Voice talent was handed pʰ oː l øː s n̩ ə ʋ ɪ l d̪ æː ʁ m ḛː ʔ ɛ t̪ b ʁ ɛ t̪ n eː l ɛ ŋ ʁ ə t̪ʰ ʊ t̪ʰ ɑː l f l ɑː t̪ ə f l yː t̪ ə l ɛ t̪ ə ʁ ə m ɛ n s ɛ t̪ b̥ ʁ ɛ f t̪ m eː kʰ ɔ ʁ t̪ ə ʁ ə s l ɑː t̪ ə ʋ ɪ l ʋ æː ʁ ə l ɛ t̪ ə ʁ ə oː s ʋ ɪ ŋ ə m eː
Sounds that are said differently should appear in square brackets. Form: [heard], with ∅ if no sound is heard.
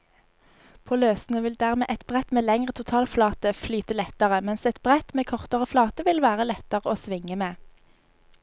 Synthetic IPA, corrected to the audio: pʰ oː l øː s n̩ ə ʋ ɪ l d̪ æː ʁ m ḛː ʔ ɛ t̪ b ʁ ɛ t̪ [m] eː l ɛ ŋ ʁ ə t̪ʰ ʊ t̪ʰ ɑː l f l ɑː t̪ ə f l yː t̪ ə l ɛ t̪ ə ʁ ə m ɛ n s ɛ t̪ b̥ ʁ ɛ [∅] t̪ m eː kʰ ɔ ʁ t̪ ə ʁ ə [f] l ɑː t̪ ə ʋ ɪ l ʋ æː ʁ ə l ɛ t̪ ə ʁ ə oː s ʋ ɪ ŋ ə m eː

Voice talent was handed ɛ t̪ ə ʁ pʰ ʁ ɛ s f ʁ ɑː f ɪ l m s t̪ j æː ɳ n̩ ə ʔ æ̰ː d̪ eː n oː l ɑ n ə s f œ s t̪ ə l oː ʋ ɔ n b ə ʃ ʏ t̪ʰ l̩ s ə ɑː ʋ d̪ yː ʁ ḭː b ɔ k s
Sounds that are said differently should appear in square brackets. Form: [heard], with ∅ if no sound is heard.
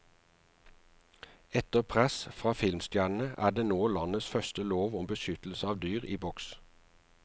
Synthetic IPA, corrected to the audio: ɛ t̪ ə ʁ pʰ ʁ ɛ s f ʁ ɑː f ɪ l m s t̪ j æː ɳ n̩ ə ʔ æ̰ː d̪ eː n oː l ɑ n ə s f œ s t̪ ə l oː ʋ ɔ [m] b ə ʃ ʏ [t̪] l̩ s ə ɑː ʋ d̪ yː ʁ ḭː b ɔ k s

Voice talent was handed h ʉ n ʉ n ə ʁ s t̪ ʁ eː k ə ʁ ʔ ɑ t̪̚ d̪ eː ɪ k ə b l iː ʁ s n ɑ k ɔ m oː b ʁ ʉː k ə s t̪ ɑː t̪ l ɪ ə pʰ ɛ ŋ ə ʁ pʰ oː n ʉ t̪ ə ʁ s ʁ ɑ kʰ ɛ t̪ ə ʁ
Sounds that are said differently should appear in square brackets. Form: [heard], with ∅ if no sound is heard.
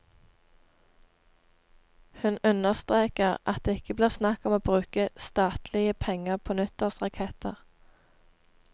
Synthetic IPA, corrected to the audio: h ʉ n ʉ n ə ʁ s t̪ ʁ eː k ə ʁ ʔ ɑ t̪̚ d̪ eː ɪ k ə b l iː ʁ s n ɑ k ɔ m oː b ʁ ʉː k ə s t̪ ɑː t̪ l ɪ ə pʰ ɛ ŋ ə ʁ pʰ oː n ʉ t̪ ə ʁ s ʁ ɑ kʰ ɛ t̪ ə ʁ

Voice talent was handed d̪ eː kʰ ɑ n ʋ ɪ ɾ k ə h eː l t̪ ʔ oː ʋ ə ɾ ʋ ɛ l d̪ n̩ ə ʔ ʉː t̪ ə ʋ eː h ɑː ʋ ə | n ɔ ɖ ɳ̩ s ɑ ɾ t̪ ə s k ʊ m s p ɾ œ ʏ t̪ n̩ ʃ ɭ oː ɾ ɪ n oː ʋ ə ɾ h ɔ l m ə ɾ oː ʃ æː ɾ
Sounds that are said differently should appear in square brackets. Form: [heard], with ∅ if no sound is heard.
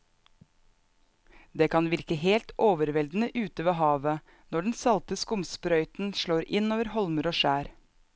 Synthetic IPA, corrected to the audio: d̪ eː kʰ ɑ n ʋ ɪ ɾ k ə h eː l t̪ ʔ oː ʋ ə ɾ ʋ ɛ l d̪ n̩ ə ʔ ʉː t̪ ə ʋ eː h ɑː ʋ ə | n ɔ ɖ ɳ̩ s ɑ [l] t̪ ə s k ʊ m s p ɾ œ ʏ t̪ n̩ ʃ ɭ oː ɾ ɪ n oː ʋ ə ɾ h ɔ l m ə ɾ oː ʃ æː ɾ

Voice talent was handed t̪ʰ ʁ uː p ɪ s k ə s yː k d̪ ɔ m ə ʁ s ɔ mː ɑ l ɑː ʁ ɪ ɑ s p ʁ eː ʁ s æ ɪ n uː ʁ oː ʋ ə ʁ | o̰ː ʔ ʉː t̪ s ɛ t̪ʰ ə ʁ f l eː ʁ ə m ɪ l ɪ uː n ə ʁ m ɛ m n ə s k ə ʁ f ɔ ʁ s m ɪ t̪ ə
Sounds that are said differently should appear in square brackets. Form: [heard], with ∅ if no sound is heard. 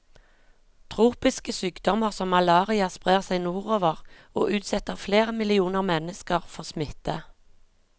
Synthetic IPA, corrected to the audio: t̪ʰ ʁ uː p ɪ s k ə s yː k d̪ ɔ m ə ʁ s ɔ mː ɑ l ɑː ʁ ɪ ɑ s p ʁ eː ʁ s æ ɪ n uː ʁ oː ʋ ə ʁ | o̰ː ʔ ʉː t̪ s ɛ [t̪] ə ʁ f l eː ʁ ə m ɪ l ɪ uː n ə ʁ m ɛ [∅] n ə s k ə ʁ f ɔ ʁ s m ɪ t̪ ə

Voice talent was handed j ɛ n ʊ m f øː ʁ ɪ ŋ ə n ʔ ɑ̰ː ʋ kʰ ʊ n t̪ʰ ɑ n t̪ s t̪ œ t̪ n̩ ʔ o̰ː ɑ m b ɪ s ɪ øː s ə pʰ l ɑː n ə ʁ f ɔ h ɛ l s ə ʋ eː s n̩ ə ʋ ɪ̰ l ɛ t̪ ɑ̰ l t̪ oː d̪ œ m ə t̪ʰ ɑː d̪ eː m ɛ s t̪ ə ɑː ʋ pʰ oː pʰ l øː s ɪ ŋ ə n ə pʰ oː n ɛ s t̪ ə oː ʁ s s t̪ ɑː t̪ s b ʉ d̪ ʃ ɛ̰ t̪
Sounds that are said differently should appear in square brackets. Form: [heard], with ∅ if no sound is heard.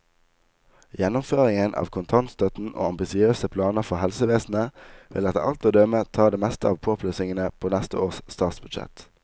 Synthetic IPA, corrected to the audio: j ɛ n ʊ m f øː ʁ ɪ ŋ ə n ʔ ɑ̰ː ʋ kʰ ʊ n t̪ʰ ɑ n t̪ s t̪ œ t̪ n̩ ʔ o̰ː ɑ m b ɪ s ɪ øː s ə pʰ l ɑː n ə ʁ f ɔ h ɛ l s ə ʋ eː s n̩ ə ʋ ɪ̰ l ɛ t̪ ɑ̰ l t̪ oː d̪ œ m ə t̪ʰ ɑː d̪ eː m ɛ s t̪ ə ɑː ʋ pʰ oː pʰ l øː s ɪ ŋ ə n ə pʰ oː n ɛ s t̪ ə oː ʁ s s t̪ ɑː t̪ s b ʉ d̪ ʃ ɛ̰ t̪

